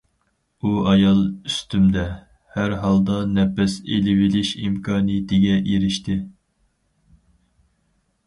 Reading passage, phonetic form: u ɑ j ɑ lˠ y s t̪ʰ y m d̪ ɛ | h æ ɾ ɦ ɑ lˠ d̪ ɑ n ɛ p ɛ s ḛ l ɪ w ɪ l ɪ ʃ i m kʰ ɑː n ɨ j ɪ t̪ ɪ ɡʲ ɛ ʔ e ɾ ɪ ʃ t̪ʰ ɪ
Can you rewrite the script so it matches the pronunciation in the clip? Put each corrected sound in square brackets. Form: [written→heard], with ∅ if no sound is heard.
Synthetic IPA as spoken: u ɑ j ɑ lˠ y s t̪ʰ y m d̪ ɛ | h æ ɾ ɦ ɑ lˠ d̪ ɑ n ɛ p ɛ s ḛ l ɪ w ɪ l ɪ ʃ i m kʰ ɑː n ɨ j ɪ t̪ ɪ ɡʲ ɛ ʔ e ɾ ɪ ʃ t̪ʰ ɪ